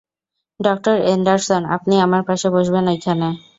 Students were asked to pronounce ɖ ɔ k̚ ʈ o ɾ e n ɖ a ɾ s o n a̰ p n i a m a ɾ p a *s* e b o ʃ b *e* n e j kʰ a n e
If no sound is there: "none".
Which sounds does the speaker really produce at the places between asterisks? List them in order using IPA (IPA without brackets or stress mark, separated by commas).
ʃ, e